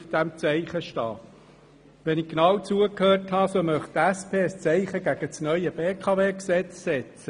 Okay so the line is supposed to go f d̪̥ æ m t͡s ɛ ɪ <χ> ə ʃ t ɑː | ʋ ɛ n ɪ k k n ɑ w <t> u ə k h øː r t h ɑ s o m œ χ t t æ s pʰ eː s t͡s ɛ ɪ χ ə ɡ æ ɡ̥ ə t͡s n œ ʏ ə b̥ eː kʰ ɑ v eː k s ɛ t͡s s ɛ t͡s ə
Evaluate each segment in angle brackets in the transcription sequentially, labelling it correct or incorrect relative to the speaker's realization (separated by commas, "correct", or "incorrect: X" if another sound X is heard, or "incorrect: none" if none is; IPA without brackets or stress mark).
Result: correct, incorrect: t͡s